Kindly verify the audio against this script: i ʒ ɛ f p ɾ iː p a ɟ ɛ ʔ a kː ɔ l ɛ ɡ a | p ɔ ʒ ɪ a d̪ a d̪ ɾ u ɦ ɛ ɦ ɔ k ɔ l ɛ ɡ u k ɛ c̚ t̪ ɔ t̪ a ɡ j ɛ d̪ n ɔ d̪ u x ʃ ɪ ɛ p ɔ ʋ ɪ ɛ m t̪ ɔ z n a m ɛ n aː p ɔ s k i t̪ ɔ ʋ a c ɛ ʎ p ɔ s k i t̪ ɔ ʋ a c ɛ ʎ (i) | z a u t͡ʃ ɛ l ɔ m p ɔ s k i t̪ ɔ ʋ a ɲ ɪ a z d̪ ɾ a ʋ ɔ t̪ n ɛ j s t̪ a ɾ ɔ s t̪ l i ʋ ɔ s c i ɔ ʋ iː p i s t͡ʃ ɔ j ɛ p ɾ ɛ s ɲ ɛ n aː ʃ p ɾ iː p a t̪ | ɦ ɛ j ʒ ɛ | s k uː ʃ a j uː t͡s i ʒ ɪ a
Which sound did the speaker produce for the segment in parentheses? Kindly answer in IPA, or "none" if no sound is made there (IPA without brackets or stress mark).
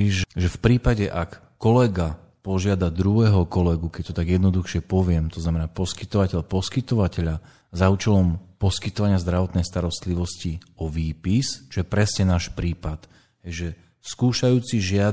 a